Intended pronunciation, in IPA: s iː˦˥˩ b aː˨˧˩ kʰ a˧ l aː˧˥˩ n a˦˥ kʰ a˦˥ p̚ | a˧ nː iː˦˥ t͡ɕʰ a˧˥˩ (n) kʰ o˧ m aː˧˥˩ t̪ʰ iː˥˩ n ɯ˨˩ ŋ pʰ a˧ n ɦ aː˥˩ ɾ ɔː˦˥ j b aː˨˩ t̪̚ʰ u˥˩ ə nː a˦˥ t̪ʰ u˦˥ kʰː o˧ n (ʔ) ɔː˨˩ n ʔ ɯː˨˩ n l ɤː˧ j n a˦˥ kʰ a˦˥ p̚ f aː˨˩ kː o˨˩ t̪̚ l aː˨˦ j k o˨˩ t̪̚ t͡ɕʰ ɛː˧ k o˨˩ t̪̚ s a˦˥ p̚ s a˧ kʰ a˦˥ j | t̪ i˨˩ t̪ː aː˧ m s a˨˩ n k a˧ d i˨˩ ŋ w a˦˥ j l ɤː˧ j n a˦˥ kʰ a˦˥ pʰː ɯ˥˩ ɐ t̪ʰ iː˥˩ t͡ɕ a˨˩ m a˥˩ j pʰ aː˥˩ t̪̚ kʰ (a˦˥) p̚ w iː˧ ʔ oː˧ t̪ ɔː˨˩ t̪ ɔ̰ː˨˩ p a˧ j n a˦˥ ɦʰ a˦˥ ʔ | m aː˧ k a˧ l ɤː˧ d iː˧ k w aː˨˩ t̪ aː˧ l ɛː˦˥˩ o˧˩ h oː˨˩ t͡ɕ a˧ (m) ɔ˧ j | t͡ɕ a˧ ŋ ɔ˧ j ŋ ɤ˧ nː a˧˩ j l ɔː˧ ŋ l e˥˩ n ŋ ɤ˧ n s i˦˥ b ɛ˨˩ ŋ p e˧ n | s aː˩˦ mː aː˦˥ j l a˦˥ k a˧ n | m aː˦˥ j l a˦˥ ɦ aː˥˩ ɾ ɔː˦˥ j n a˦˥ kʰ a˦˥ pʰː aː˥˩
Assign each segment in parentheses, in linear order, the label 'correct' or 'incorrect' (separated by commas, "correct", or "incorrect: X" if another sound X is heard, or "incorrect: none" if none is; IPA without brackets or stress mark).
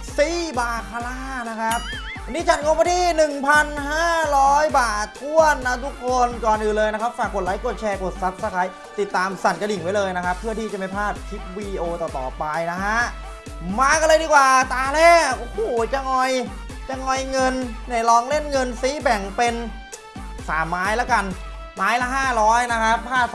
correct, incorrect: k, incorrect: i˦˥, incorrect: ŋ